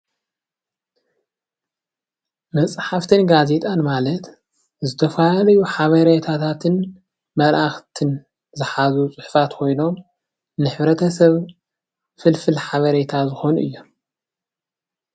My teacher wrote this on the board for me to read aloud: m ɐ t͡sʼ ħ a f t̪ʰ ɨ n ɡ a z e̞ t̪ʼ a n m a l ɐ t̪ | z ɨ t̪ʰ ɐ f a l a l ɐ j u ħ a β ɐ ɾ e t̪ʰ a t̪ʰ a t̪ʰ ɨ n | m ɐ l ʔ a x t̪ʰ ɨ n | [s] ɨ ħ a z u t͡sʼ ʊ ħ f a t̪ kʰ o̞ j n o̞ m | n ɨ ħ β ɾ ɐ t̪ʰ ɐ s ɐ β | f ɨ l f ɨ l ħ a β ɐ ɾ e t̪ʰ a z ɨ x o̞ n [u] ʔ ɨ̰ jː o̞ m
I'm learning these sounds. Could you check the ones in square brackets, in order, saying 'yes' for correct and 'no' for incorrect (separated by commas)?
no, yes